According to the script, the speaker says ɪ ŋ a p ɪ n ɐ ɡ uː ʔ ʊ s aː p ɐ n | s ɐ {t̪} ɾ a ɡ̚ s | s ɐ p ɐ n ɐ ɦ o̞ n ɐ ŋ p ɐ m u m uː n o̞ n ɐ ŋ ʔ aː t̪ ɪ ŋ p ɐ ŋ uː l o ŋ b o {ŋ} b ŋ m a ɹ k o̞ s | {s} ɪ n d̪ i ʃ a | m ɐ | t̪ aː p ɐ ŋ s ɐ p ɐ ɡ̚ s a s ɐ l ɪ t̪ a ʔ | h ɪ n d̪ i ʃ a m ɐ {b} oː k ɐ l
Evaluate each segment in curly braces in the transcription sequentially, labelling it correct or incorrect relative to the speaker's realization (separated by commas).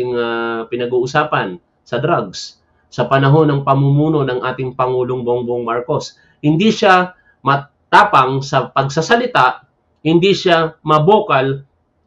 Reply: incorrect, correct, incorrect, correct